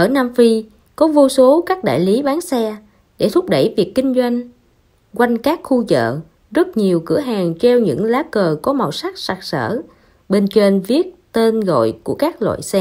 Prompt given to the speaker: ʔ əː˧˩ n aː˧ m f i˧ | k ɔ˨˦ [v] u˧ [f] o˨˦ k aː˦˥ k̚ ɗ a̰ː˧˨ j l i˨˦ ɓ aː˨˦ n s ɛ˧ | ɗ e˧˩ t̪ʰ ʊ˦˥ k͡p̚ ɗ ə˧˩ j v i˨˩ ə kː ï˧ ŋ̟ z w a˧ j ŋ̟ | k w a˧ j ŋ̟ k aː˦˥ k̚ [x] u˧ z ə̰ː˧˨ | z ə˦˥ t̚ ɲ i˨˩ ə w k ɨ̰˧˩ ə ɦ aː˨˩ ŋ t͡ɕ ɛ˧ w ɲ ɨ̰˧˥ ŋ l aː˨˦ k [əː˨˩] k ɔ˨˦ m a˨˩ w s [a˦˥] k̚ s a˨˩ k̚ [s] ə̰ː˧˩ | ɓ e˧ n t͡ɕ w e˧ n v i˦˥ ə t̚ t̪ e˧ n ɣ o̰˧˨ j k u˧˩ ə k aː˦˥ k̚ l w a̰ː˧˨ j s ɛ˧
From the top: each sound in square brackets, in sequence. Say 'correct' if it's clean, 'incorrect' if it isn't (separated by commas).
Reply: correct, incorrect, correct, correct, correct, correct